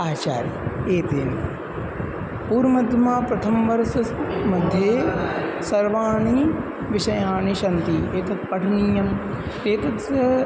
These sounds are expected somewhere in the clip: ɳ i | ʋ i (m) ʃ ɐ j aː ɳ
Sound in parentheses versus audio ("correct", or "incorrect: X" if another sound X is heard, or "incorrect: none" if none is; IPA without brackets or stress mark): incorrect: none